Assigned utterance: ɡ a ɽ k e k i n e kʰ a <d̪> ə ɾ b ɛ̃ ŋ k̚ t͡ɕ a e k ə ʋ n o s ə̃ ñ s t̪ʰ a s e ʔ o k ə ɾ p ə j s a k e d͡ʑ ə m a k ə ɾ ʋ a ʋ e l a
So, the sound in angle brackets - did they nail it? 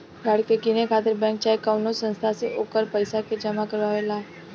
no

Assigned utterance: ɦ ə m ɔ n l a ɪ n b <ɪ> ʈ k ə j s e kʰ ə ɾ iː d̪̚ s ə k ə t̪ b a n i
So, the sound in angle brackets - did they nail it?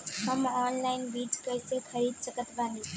no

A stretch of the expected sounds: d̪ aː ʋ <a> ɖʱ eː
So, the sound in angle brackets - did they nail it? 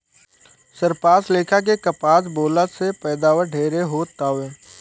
no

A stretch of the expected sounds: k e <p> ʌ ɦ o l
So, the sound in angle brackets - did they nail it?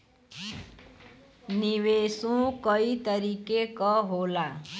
no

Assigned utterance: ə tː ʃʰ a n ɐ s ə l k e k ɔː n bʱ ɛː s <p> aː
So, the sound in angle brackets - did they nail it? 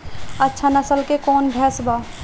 no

